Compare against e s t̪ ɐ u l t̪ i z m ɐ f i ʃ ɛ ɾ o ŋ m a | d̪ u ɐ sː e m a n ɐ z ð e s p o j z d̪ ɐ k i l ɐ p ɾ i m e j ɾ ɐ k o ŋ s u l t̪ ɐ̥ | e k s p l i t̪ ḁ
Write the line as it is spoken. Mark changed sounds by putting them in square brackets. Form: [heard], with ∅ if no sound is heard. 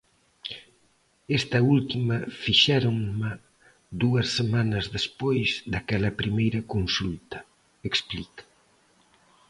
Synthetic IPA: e s t̪ ɐ u l t̪ i [∅] m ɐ f i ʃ ɛ ɾ o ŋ m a | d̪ u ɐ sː e m a n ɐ z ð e s p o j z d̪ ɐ k [ɛ] l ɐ p ɾ i m e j ɾ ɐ k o [n] s u l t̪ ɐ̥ | e k s p l i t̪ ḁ